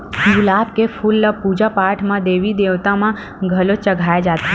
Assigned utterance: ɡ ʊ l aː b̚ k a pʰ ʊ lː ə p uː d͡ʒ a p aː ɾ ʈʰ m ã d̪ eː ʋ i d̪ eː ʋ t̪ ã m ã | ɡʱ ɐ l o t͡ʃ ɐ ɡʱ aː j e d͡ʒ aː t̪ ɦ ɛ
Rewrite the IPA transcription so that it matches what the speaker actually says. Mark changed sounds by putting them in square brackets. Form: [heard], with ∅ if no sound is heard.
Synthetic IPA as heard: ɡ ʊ l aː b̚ k [e] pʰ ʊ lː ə p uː d͡ʒ a p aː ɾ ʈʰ m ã d̪ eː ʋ i d̪ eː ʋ t̪ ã m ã | ɡʱ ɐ l o t͡ʃ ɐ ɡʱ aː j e d͡ʒ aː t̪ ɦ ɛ